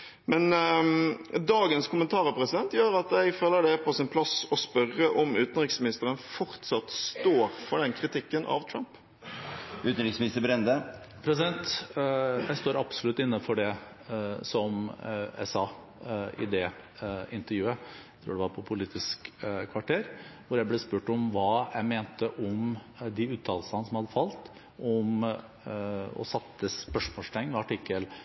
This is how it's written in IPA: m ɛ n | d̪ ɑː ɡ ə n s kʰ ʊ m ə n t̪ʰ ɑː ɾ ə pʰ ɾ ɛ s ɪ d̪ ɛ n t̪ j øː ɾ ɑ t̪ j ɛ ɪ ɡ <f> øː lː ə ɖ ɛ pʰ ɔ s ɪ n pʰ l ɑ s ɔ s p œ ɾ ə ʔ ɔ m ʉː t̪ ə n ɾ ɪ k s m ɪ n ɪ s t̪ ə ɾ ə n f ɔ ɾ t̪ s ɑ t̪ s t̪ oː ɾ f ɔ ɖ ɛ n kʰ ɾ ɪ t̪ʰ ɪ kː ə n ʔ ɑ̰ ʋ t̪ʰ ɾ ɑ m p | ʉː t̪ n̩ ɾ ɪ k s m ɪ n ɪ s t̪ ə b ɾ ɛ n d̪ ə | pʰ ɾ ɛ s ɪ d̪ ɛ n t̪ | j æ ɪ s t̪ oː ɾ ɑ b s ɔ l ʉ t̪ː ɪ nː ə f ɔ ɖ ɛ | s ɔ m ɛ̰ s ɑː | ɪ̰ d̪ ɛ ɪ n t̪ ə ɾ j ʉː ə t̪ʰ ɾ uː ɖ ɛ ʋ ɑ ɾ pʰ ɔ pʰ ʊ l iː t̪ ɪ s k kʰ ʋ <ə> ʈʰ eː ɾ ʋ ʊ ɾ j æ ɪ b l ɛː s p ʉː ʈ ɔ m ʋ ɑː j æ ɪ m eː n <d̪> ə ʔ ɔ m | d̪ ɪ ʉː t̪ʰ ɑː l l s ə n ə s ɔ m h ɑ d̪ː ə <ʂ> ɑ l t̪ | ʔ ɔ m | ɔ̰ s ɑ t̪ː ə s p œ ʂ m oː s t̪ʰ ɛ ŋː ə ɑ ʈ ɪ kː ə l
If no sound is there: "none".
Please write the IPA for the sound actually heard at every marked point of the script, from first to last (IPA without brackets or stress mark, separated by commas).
f, ɑ, t̪, f